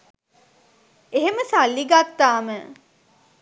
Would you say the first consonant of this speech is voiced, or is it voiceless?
voiced